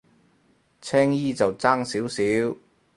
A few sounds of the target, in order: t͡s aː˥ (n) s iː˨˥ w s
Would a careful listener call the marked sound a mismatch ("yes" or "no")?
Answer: yes